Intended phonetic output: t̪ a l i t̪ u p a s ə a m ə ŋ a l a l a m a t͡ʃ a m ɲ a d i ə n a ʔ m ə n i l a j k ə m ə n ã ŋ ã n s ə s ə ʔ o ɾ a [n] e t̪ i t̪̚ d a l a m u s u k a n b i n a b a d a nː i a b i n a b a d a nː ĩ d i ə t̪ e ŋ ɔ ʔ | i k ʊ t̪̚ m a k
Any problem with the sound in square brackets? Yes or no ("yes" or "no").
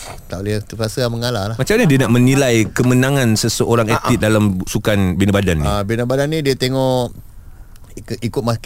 yes